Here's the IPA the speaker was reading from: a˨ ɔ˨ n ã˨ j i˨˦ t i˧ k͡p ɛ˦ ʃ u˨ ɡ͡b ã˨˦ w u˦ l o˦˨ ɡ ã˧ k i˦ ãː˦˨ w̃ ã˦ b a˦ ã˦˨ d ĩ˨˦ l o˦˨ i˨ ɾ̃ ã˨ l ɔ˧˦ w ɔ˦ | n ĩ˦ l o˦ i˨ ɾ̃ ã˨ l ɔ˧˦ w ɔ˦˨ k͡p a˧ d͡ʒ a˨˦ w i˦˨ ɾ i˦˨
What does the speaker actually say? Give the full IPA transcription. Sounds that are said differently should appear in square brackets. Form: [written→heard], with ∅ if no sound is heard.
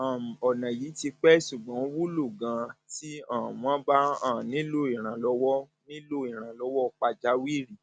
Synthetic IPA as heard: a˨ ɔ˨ n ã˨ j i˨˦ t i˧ k͡p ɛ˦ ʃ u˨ ɡ͡b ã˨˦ w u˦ l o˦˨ ɡ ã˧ [k→t] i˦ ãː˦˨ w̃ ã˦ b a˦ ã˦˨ [d→n] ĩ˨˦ l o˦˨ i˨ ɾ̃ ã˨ l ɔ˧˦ w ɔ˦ | n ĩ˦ l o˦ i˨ ɾ̃ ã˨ l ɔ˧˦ w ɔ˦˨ k͡p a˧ d͡ʒ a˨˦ w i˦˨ ɾ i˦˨